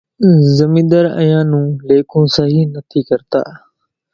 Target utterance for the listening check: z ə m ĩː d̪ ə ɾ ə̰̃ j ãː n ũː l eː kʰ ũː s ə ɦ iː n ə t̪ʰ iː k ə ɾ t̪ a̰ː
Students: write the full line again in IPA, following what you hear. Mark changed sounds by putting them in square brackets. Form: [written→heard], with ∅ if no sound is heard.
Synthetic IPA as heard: z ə m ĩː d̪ ə ɾ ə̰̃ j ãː n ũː l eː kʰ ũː s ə ɦ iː n ə t̪ʰ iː k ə ɾ t̪ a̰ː

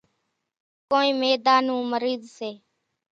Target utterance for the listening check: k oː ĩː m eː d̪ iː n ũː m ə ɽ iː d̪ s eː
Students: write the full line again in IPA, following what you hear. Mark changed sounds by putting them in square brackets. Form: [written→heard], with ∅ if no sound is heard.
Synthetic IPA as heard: k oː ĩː m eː d̪ [iː→aː] n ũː m ə [ɽ→ɾ] iː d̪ s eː

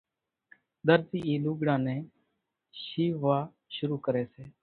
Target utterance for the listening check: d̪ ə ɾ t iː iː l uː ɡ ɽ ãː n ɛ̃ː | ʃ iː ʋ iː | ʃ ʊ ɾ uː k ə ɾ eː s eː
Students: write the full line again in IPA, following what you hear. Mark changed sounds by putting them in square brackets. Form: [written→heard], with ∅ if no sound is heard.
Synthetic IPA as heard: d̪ ə ɾ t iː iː l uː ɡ ɽ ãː n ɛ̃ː | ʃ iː ʋ [iː→aː] | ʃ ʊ ɾ uː k ə ɾ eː s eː

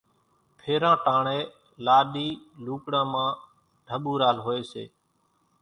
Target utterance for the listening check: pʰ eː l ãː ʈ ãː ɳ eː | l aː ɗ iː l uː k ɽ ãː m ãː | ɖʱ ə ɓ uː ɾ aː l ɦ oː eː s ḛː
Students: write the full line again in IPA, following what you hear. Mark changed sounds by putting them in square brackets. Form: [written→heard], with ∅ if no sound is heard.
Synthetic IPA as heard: pʰ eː [l→ɾ] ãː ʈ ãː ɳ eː | l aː ɗ iː l uː k ɽ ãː m ãː | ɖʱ ə ɓ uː ɾ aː l ɦ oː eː s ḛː

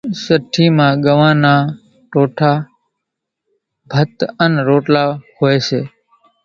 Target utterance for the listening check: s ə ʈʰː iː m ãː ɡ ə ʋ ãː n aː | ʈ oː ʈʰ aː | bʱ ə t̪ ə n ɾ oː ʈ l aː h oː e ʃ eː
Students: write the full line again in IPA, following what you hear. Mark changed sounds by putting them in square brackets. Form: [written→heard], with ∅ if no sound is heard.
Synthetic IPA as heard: s ə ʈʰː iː m ãː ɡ ə ʋ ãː n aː | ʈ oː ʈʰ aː | bʱ ə t̪ ə n ɾ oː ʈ l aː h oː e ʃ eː

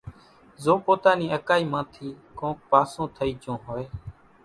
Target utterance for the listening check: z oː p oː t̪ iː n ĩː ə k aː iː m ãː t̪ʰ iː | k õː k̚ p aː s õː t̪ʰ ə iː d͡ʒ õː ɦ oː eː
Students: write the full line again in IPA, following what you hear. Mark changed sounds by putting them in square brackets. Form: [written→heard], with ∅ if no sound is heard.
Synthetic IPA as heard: z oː p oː t̪ [iː→aː] n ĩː ə k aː iː m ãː t̪ʰ iː | k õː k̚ p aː s õː t̪ʰ ə iː d͡ʒ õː ɦ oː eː

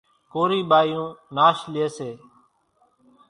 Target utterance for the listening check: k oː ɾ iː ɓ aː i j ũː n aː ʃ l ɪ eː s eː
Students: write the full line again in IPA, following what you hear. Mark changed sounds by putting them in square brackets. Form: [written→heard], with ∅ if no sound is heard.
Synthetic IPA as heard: k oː ɾ iː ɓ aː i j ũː n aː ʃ l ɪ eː s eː

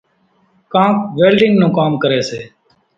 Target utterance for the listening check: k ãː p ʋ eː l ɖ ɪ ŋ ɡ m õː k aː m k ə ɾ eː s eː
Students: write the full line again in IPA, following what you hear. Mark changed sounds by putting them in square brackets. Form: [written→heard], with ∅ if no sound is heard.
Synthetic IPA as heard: k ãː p ʋ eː l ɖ ɪ ŋ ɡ [m→n] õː k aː m k ə ɾ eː s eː

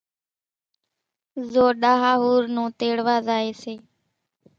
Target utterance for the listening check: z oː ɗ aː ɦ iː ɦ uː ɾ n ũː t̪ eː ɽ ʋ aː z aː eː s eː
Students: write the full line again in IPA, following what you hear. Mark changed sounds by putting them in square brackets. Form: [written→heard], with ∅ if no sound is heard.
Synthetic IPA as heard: z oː ɗ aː ɦ [iː→aː] ɦ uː ɾ n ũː t̪ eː ɽ ʋ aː z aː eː s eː

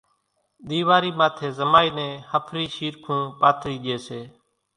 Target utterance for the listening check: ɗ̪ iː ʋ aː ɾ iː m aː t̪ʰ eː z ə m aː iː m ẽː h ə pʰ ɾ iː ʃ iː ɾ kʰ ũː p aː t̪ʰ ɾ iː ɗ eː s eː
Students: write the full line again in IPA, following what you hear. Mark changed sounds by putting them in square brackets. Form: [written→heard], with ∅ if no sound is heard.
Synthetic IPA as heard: ɗ̪ iː ʋ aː ɾ iː m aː t̪ʰ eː z ə m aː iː [m→n] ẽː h ə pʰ ɾ iː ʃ iː ɾ kʰ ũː p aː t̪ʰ ɾ iː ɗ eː s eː

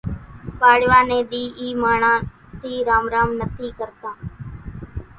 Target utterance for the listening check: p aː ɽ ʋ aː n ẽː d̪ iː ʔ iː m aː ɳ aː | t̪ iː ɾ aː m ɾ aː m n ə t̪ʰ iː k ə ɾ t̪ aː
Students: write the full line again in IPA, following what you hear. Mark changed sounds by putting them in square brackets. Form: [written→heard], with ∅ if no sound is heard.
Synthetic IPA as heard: p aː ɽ ʋ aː n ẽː d̪ iː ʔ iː m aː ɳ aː | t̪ iː ɾ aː m ɾ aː m n ə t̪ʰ iː k ə ɾ t̪ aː

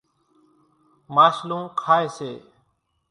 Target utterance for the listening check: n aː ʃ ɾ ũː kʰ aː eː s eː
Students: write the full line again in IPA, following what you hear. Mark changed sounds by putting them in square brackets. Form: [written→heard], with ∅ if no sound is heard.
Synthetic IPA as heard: [n→m] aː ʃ [ɾ→l] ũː kʰ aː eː s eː

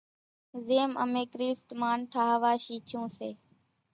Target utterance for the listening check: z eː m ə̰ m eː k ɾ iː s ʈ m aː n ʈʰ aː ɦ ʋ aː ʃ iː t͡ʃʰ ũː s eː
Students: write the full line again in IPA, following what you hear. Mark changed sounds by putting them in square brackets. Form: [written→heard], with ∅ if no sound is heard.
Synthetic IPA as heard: z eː m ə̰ m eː k ɾ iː s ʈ m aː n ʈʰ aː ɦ ʋ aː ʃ iː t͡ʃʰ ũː s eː

